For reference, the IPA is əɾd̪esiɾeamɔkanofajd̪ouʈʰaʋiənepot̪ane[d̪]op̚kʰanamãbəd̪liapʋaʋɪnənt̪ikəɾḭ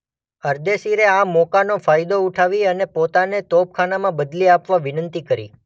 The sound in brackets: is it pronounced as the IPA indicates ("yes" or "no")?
no